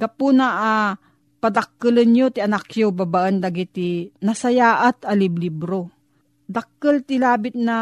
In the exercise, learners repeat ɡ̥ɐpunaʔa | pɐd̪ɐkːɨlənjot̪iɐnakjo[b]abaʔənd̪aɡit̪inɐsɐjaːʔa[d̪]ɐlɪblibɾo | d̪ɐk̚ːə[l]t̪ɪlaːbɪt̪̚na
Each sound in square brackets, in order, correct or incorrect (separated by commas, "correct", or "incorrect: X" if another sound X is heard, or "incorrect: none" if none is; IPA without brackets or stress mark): correct, incorrect: t̪, correct